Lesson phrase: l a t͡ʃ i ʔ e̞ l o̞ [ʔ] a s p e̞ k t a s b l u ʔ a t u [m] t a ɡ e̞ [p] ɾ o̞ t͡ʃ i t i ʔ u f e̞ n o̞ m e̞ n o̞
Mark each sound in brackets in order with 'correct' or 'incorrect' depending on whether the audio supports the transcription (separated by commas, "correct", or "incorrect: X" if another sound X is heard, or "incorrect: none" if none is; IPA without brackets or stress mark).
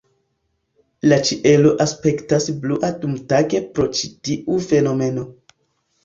correct, correct, correct